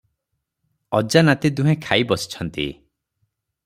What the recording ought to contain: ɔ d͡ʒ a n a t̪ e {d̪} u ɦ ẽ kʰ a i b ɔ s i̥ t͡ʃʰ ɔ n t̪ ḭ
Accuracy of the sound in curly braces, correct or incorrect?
correct